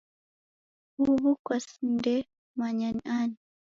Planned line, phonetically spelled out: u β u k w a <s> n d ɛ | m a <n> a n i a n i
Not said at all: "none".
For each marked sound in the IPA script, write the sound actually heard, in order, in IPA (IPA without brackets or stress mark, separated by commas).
s, ɲ